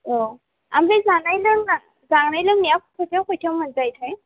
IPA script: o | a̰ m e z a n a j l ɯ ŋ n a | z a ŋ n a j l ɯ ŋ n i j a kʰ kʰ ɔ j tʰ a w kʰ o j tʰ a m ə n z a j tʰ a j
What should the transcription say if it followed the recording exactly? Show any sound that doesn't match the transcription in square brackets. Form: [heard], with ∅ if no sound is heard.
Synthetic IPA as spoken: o | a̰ m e z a n a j l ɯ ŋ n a | z a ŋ n a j l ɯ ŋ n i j a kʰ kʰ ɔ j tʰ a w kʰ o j tʰ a m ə n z a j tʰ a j